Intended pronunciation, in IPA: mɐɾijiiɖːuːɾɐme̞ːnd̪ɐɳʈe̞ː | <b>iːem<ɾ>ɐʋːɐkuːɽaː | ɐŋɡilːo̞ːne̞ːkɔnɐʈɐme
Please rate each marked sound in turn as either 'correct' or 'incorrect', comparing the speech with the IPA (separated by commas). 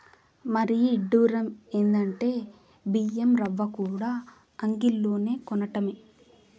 correct, correct